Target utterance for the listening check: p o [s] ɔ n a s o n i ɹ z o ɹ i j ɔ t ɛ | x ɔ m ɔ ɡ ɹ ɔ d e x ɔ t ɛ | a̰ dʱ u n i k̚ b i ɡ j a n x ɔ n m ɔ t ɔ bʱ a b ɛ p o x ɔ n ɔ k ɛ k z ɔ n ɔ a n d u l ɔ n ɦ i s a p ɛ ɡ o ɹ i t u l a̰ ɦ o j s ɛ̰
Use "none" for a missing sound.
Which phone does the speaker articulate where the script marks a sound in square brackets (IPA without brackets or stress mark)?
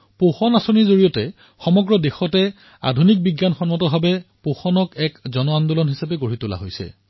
x